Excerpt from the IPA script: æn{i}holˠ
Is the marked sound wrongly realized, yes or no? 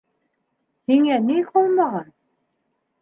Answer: no